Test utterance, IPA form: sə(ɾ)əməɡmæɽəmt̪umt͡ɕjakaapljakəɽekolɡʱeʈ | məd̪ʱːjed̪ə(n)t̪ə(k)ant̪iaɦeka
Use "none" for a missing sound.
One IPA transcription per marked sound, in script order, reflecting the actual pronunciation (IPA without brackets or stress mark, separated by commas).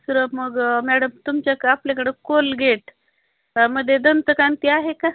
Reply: ɾ, n, k